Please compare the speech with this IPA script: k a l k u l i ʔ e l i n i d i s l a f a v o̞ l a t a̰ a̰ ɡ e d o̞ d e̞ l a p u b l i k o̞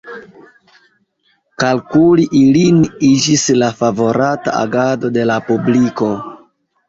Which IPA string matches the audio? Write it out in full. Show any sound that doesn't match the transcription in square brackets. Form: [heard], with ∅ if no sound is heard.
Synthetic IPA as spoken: k a l k u l i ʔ [i] l i n i [d͡ʒ] i s l a f a v o̞ [ɾ] a t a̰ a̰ ɡ [a] d o̞ d e̞ l a p u b l i k o̞